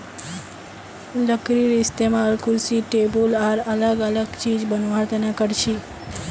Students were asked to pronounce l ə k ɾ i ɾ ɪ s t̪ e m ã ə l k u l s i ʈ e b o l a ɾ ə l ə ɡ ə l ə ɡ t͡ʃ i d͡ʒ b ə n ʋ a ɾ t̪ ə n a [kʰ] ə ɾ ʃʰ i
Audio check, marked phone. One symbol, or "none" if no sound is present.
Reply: k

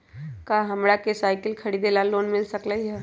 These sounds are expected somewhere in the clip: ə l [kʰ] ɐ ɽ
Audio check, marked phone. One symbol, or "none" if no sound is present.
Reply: kʰ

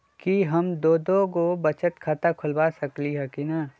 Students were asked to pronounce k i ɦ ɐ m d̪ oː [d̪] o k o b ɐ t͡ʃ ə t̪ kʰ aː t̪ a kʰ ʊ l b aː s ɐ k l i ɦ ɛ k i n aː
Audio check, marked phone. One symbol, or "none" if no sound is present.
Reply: d̪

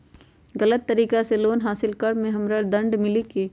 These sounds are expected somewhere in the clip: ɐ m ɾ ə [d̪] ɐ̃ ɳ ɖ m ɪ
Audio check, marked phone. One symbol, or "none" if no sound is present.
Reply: d̪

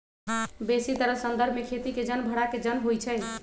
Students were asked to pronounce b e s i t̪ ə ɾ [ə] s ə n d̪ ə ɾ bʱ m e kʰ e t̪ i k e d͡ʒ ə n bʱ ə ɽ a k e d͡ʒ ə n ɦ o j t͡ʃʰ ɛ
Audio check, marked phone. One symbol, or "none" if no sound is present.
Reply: ə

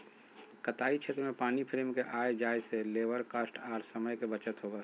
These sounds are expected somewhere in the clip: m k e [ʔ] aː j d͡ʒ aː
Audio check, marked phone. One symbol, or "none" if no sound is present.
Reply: ʔ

